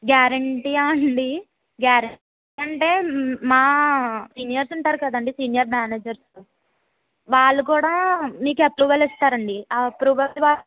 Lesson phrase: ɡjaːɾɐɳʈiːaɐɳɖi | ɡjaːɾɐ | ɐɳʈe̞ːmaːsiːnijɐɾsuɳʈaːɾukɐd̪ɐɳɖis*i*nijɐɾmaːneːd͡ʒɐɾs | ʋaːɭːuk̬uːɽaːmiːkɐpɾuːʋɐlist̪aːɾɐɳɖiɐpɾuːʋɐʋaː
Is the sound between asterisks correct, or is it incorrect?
incorrect